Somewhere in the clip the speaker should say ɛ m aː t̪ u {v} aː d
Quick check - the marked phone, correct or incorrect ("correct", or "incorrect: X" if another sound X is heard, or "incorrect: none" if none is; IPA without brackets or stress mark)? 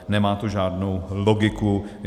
incorrect: ʒ